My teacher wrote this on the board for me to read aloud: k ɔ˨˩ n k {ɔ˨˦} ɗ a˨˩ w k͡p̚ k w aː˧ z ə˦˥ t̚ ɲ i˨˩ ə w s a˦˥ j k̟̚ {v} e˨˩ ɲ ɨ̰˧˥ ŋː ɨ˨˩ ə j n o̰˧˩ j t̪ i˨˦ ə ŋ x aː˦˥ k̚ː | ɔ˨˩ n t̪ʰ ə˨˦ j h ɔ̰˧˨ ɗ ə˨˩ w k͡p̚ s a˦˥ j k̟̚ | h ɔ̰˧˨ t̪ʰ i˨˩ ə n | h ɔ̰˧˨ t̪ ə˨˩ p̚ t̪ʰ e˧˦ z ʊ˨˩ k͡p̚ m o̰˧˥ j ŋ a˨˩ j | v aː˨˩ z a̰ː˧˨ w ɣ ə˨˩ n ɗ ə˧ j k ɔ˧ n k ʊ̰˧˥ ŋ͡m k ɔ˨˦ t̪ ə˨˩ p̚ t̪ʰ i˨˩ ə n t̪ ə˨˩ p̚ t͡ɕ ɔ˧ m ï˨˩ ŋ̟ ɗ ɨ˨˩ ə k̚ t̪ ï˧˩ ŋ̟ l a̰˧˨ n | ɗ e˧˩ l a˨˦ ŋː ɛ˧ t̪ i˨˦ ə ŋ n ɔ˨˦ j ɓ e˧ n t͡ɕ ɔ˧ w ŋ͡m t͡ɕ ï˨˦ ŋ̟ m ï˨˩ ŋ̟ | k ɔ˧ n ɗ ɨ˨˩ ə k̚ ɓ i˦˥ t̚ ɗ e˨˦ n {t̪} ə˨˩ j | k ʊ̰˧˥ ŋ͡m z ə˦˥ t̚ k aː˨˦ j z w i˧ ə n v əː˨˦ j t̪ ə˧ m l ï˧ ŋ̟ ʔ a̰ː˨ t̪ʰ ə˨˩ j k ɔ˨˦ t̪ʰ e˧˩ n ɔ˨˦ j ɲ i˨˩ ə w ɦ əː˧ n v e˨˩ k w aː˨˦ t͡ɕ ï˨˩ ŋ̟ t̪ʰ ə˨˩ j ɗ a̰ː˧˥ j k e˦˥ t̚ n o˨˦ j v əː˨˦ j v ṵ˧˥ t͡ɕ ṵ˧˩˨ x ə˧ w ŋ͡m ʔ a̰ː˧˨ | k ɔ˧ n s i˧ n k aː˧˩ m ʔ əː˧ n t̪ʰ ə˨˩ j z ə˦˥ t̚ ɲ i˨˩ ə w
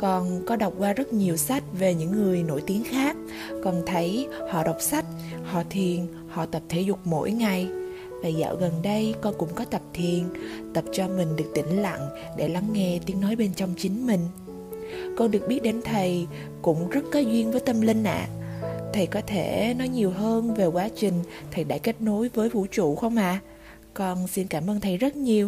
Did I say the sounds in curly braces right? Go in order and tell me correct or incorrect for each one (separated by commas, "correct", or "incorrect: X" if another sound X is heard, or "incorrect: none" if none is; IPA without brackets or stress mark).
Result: correct, correct, incorrect: t̪ʰ